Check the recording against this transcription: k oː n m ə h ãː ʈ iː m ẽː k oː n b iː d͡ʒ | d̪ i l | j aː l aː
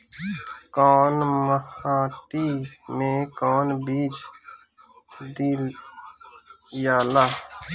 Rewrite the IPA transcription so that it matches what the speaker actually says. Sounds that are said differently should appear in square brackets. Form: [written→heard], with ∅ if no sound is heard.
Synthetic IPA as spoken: k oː n m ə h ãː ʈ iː m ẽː k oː n b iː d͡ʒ | d̪ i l | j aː l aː